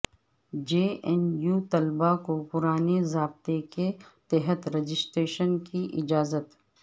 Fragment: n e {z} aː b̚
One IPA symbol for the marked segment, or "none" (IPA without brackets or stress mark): z